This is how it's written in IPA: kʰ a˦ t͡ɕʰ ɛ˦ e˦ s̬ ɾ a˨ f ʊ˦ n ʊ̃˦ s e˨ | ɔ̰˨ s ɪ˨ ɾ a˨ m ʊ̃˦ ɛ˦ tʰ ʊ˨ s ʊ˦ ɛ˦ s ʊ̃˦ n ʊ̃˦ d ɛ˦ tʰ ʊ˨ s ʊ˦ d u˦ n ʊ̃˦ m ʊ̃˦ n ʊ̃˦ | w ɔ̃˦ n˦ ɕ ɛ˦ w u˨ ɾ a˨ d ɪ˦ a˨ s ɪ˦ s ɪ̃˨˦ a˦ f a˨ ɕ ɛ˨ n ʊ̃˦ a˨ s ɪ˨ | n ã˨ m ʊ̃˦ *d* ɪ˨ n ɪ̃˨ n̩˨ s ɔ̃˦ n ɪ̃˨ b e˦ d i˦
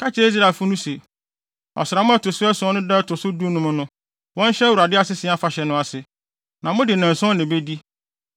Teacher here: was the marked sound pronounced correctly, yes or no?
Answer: yes